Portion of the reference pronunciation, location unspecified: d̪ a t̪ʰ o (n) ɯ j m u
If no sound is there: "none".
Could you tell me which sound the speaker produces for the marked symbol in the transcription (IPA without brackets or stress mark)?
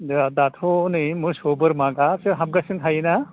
n